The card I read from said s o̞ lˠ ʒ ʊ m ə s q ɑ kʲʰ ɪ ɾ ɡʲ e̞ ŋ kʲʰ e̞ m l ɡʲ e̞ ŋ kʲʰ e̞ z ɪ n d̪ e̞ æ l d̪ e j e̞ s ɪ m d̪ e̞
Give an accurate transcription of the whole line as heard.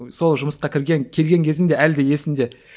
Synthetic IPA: s o̞ lˠ ʒ ʊ m ə s q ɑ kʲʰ ɪ ɾ ɡʲ e̞ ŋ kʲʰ e̞ l ɡʲ e̞ ŋ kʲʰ e̞ z ɪ n d̪ e̞ æ l d̪ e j e̞ s ɪ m d̪ e̞